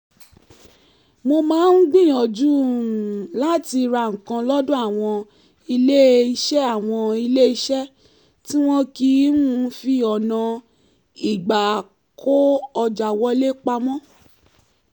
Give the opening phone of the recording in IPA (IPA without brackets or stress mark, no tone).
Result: m